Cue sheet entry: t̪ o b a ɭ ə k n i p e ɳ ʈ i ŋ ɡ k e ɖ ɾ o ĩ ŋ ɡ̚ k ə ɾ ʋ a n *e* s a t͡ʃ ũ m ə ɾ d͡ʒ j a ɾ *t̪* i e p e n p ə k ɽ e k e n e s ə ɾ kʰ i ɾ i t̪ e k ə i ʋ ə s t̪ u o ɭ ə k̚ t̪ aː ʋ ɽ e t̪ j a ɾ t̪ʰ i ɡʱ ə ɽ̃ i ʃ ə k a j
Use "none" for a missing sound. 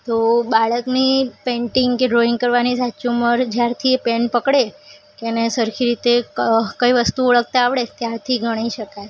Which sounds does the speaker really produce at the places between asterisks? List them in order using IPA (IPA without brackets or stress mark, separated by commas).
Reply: i, t̪ʰ